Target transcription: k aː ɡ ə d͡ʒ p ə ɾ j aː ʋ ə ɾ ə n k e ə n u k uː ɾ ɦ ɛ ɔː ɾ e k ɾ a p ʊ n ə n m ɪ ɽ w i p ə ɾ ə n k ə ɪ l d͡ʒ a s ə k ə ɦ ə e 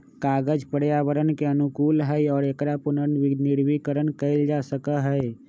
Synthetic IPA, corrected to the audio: k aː ɡ ə d͡ʒ p ə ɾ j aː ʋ ə ɾ ə n k e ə n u k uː l ɦ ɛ ɔː ɾ e k ɾ a p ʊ n ə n n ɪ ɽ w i k ə ɾ ə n k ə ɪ l d͡ʒ a s ə k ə ɦ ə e